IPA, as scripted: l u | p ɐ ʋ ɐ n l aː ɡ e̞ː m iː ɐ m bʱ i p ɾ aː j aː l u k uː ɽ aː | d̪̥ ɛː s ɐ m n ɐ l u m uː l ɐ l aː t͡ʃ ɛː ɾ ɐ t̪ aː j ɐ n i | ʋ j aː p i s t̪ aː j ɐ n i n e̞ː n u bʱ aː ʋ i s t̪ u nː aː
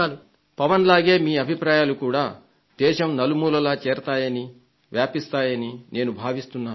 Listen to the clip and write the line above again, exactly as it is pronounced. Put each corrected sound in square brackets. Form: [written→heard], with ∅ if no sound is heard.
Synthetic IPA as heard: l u | p ɐ ʋ ɐ n l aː ɡ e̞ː m iː ɐ [m→∅] bʱ i p ɾ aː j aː l u k uː ɽ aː | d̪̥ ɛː [s→ʃ] ɐ m n ɐ l u m uː l ɐ l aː t͡ʃ ɛː ɾ ɐ t̪ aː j ɐ n i | ʋ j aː p i s t̪ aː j ɐ n i n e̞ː n u bʱ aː ʋ i s t̪ u nː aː

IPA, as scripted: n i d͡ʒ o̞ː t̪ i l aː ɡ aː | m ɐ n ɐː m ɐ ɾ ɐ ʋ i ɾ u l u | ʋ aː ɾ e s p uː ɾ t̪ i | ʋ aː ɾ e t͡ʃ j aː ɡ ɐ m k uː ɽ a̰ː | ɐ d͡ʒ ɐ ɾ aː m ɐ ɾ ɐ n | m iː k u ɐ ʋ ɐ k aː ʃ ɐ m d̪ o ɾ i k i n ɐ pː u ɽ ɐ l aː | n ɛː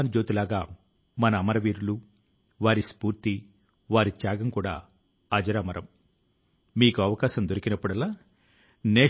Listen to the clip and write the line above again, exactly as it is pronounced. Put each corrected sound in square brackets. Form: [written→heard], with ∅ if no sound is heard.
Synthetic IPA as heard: n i d͡ʒ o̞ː t̪ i l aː ɡ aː | m ɐ n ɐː m ɐ ɾ ɐ ʋ [i→iː] ɾ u l u | ʋ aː ɾ [e→i] s p uː ɾ t̪ i | ʋ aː ɾ [e→i] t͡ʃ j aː ɡ ɐ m k uː ɽ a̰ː | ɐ d͡ʒ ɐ ɾ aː m ɐ ɾ ɐ [n→m] | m iː k u ɐ ʋ ɐ k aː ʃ ɐ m d̪ o ɾ i k i n ɐ pː u ɽ ɐ l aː | n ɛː

